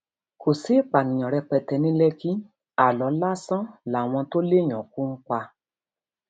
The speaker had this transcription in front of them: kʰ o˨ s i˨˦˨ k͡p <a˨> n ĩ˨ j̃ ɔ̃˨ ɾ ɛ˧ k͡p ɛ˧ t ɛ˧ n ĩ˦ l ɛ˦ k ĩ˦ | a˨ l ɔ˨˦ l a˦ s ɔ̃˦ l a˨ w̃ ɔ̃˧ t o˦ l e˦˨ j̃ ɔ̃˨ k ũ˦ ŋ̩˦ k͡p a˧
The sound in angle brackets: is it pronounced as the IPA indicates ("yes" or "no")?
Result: yes